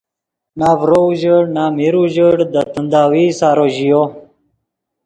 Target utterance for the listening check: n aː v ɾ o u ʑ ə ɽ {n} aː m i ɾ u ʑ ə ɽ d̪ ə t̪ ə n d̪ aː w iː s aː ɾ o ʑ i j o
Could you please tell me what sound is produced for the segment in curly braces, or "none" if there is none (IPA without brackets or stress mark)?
n